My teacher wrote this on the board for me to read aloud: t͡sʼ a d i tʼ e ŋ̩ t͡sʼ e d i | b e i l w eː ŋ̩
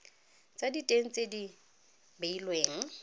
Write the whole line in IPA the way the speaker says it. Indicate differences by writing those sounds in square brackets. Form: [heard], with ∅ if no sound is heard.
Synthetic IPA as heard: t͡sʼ a d i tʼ e ŋ̩ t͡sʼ e d i | b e i l w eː ŋ̩